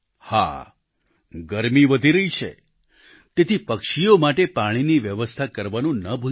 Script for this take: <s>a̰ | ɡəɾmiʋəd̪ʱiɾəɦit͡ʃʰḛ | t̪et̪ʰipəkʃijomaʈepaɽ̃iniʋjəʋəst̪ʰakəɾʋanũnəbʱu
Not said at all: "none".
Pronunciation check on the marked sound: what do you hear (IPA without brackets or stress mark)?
h